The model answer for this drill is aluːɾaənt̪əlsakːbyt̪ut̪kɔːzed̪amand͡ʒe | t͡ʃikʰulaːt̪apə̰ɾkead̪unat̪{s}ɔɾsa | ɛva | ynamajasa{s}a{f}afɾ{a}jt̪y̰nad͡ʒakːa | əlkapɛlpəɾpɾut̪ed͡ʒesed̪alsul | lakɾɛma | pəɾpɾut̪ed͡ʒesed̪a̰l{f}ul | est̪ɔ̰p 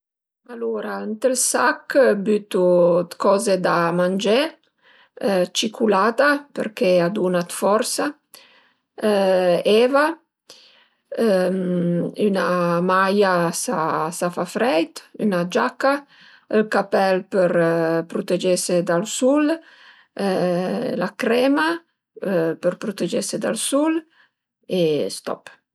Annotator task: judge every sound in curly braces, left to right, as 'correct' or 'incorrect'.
incorrect: f, correct, correct, incorrect: ɛ, incorrect: s

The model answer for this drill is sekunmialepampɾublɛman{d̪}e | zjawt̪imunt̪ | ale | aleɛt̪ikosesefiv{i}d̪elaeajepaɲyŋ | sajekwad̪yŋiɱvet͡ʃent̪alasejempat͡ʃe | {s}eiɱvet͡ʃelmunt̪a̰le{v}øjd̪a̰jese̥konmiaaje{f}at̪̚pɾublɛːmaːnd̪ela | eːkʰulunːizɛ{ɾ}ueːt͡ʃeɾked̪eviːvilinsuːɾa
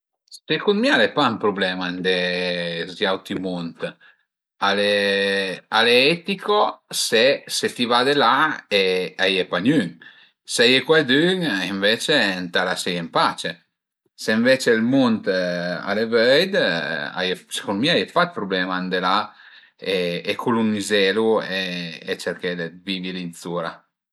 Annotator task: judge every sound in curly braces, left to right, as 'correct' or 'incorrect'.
correct, incorrect: a, correct, correct, correct, incorrect: l

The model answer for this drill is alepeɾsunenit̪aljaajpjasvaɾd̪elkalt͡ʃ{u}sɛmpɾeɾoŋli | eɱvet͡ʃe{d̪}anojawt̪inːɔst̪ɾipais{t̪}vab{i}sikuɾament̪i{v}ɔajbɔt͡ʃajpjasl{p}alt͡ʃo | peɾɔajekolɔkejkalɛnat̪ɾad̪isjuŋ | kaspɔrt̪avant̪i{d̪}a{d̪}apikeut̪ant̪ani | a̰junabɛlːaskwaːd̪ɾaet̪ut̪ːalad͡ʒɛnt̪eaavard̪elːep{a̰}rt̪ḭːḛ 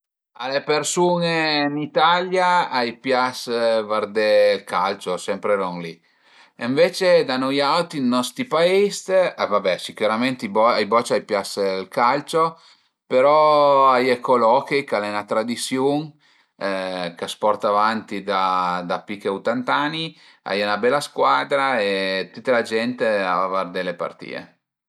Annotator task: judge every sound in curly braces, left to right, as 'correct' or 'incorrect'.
incorrect: o, correct, correct, incorrect: ɛ, incorrect: b, incorrect: k, correct, correct, correct

